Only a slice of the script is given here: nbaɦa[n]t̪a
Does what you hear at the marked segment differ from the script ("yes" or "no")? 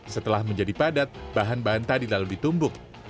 no